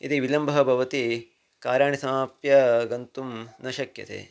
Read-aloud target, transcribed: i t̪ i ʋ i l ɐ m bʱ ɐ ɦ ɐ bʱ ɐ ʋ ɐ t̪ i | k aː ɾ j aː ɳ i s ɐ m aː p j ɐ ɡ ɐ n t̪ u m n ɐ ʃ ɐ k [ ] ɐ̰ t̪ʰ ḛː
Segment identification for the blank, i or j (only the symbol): j